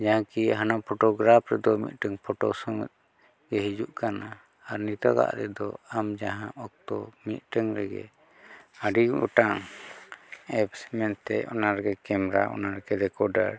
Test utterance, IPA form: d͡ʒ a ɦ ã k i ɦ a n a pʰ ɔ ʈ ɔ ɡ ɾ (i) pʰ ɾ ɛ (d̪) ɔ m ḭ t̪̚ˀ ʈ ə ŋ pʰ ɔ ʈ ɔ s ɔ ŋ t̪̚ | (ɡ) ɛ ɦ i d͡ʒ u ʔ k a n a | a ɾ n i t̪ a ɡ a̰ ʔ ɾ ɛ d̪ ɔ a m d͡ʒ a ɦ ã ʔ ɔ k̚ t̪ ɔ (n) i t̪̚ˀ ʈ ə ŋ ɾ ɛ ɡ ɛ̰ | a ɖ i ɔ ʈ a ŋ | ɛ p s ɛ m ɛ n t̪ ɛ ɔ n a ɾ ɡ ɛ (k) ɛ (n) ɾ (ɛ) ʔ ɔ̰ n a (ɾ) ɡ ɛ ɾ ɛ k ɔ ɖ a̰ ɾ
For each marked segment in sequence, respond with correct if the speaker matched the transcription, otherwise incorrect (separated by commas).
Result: incorrect, correct, correct, incorrect, correct, incorrect, incorrect, correct